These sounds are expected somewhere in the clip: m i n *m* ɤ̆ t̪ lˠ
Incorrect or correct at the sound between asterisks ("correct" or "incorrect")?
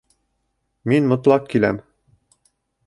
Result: correct